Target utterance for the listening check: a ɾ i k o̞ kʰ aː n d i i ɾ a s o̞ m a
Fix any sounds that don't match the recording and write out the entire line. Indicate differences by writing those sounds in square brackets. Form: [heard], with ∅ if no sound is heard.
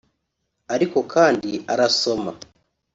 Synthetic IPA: a ɾ i k o̞ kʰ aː n d i [a] ɾ a s o̞ m a